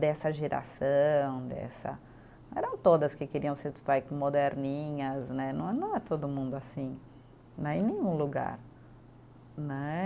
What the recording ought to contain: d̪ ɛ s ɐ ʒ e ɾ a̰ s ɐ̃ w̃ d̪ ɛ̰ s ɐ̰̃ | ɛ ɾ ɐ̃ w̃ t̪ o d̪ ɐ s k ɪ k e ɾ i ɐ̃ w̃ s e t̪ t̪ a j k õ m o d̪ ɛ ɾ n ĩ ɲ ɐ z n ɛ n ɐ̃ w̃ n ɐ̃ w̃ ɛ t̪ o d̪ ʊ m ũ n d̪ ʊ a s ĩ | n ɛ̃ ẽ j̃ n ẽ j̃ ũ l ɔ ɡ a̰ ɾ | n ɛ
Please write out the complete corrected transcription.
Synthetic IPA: d̪ ɛ s ɐ ʒ e ɾ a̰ s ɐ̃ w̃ d̪ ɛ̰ s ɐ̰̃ | ɛ ɾ ɐ̃ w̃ t̪ o d̪ ɐ s k ɪ k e ɾ i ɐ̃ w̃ s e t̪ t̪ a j k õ m o d̪ ɛ ɾ n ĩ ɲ ɐ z n ɛ n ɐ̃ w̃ n ɐ̃ w̃ ɛ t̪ o d̪ ʊ m ũ n d̪ ʊ a s ĩ | n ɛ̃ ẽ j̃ n ẽ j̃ ũ l u ɡ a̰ ɾ | n ɛ